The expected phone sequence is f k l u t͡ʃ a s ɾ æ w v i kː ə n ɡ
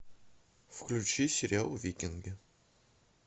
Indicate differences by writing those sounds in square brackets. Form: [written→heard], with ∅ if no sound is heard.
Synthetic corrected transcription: f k l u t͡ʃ [a→i] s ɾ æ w v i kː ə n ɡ